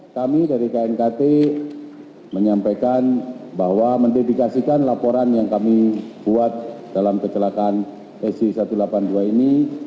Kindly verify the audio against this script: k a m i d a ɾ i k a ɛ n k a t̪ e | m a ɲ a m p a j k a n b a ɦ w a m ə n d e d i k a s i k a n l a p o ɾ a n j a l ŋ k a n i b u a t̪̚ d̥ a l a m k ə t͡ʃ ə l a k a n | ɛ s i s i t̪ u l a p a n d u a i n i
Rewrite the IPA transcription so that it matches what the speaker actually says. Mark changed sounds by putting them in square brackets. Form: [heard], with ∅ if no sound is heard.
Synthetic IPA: k a m i d a ɾ i k a ɛ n k a t̪ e | m [ə] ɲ a m p a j k a n b a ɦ w a m ə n d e d i k a s i k a n l a p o ɾ a n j a [∅] ŋ k a [m] i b u a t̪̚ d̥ a l a m k ə t͡ʃ ə l a k a n | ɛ s i s [a] t̪ u l a p a n d u a i n i